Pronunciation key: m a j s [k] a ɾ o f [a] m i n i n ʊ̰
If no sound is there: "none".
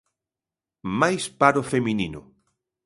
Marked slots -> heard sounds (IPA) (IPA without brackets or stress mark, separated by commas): p, e